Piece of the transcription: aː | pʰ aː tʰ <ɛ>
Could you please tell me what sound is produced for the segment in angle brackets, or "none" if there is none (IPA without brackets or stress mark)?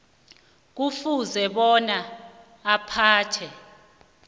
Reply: ɛ